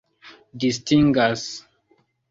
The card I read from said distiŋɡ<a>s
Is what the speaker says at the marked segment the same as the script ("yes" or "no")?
yes